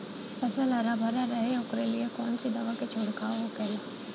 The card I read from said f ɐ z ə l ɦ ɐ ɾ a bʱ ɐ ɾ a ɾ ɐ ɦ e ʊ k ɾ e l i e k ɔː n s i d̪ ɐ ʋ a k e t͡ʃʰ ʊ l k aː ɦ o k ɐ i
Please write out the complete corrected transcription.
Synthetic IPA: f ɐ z ə l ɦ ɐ ɾ a bʱ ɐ ɾ a ɾ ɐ ɦ e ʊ k ɾ e l i e k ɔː n s i d̪ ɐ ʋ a k e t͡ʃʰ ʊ ɽ k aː ɦ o k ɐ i

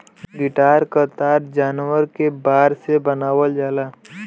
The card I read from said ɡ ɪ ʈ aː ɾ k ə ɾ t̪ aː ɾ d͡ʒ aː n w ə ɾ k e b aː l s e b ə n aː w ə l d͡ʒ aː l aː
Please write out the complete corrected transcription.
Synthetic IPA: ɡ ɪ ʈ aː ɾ k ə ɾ t̪ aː ɾ d͡ʒ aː n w ə ɾ k e b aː ɾ s e b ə n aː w ə l d͡ʒ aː l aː

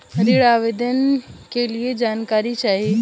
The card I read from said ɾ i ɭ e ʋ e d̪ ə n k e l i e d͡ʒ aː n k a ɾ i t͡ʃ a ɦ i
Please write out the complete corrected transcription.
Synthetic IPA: ɾ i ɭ a ʋ e d̪ ə n k e l i e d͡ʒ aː n k a ɾ i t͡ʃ a ɦ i

